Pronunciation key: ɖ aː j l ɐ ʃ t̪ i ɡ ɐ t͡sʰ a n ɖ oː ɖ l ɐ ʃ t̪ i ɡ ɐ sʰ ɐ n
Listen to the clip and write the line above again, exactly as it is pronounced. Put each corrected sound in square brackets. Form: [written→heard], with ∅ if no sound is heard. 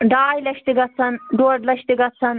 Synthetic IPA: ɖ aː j l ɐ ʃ t̪ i ɡ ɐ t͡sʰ [a→ɐ] n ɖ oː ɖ l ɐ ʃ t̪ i ɡ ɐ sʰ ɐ n